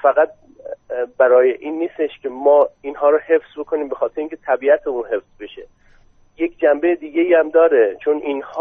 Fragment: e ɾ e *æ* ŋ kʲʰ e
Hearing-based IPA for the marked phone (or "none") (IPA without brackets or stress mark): i